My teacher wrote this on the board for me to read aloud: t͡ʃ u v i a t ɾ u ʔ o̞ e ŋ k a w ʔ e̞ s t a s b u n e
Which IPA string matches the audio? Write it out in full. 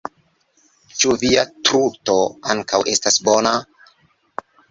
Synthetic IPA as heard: t͡ʃ u v i a t ɾ u t o̞ a ŋ k a w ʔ e̞ s t a s b o n a